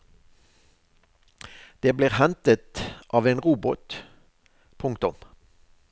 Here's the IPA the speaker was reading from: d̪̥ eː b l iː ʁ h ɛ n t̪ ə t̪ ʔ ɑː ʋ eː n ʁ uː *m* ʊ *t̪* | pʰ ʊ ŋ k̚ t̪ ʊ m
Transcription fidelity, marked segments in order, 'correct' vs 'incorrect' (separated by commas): incorrect, correct